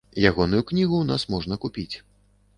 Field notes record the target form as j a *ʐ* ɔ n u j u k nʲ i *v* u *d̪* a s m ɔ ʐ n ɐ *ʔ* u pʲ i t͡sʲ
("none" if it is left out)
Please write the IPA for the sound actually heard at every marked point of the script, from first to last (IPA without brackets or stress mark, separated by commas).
ɣ, ɣ, n̪, k